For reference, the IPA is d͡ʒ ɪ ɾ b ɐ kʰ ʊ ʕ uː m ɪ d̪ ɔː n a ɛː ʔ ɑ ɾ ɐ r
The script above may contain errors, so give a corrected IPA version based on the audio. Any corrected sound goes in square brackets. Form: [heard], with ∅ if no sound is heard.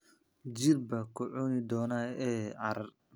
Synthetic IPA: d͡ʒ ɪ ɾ b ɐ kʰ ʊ ʕ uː [n] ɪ d̪ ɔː n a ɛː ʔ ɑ ɾ ɐ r